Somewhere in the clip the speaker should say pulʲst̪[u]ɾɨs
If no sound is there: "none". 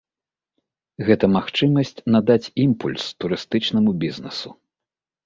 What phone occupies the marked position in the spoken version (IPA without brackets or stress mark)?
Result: u